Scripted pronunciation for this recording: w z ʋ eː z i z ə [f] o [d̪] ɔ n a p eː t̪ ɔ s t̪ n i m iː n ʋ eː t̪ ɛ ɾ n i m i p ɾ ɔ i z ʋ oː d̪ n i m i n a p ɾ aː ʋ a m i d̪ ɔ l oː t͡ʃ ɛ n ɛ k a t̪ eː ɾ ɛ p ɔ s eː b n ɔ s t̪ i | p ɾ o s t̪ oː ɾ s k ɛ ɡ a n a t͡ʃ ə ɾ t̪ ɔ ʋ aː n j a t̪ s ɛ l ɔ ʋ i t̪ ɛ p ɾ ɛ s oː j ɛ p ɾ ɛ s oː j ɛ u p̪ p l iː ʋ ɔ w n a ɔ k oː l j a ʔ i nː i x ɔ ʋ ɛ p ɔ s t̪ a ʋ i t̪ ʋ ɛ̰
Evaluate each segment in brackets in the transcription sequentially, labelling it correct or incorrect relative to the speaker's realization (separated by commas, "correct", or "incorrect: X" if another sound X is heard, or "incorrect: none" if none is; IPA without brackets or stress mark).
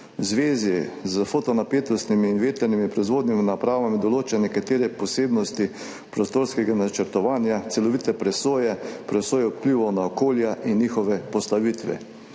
correct, incorrect: t̪